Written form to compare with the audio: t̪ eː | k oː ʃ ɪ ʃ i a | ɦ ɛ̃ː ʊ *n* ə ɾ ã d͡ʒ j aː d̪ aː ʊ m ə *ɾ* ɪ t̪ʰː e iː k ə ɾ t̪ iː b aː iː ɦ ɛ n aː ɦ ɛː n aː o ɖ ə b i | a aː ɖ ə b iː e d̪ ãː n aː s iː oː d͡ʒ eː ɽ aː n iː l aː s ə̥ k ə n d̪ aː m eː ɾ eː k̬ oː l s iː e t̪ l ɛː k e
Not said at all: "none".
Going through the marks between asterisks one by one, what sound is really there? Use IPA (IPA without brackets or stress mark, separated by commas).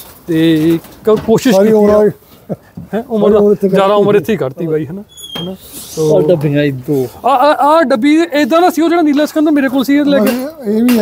m, ɾ